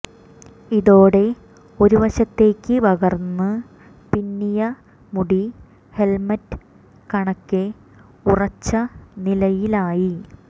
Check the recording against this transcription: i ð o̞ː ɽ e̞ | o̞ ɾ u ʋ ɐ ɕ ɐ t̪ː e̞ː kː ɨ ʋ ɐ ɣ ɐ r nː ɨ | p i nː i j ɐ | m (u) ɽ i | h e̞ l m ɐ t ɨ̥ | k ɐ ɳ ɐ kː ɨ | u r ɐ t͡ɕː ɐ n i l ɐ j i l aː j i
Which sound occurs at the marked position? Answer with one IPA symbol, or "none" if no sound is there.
u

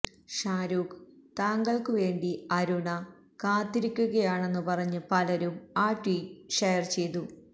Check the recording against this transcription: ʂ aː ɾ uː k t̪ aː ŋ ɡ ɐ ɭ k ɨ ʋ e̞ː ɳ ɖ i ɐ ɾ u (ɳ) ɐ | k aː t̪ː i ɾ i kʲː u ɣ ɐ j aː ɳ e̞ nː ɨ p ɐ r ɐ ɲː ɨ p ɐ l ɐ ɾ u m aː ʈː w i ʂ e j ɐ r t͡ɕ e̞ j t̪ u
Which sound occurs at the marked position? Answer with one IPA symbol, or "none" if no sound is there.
ɳ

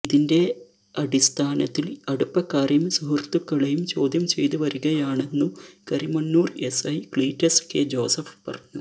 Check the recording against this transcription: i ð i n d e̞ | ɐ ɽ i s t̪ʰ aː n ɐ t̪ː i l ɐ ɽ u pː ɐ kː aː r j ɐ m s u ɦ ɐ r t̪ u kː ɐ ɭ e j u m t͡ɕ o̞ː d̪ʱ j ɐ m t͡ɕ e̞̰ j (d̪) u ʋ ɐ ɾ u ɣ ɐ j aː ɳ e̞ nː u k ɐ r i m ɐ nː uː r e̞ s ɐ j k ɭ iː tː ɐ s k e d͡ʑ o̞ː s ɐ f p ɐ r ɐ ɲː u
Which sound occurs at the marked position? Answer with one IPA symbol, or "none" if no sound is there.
t̪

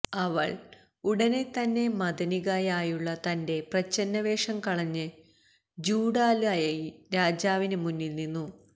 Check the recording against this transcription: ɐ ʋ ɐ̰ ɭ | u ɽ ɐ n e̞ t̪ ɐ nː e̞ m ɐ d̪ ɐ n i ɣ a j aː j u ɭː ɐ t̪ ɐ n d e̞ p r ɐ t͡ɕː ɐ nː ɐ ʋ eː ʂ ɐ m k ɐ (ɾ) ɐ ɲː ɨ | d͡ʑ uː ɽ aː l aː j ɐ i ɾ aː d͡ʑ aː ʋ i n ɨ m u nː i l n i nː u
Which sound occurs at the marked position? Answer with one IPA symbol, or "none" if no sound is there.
ɭ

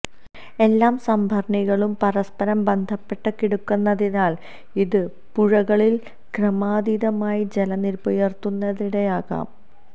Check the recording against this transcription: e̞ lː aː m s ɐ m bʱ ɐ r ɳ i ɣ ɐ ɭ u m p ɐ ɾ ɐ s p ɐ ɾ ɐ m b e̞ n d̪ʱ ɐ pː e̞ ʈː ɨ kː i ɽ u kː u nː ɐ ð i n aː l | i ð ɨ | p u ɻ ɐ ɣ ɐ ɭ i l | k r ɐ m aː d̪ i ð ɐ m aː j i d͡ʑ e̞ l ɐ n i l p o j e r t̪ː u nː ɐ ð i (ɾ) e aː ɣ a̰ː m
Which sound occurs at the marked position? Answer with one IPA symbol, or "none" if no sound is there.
ɽ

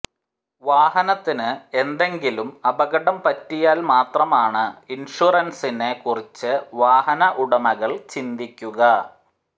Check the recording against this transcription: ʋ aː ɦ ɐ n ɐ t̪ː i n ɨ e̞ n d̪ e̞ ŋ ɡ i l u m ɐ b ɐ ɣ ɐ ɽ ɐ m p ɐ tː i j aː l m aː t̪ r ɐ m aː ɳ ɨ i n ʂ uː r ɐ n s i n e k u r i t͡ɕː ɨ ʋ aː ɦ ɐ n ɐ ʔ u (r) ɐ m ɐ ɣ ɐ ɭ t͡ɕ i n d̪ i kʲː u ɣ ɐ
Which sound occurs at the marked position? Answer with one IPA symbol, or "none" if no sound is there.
ɽ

